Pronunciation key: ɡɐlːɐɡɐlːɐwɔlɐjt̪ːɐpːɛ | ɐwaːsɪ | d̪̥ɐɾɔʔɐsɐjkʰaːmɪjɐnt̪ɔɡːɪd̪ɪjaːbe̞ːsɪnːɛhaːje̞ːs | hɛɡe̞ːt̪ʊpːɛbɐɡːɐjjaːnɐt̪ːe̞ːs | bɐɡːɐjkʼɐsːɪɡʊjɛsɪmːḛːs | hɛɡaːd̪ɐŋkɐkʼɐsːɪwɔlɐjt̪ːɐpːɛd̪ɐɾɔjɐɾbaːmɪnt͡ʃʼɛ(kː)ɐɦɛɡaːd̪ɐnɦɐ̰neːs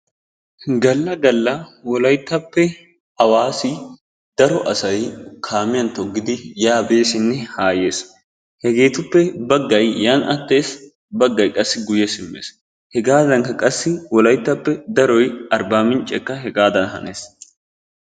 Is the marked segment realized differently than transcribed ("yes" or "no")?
no